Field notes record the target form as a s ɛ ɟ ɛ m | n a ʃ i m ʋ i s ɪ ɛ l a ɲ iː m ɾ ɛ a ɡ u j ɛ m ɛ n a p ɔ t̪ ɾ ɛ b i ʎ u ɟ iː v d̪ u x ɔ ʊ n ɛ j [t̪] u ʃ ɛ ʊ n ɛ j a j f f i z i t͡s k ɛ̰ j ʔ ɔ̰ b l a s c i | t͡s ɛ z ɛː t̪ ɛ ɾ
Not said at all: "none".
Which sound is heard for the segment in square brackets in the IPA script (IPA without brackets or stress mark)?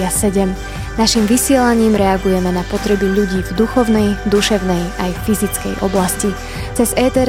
d̪